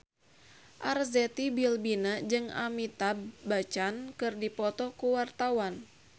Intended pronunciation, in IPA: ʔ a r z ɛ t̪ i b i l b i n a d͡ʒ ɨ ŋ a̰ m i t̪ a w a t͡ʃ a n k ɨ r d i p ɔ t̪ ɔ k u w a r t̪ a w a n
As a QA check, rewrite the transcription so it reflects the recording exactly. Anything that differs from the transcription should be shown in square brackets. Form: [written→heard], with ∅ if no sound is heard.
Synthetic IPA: ʔ a r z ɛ t̪ i b i l b i n a d͡ʒ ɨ ŋ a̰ m i t̪ a [w→b] a t͡ʃ a n k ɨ r d i p ɔ t̪ ɔ k u w a r t̪ a w a n